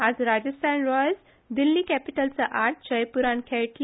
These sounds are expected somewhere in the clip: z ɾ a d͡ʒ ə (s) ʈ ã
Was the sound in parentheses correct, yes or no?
yes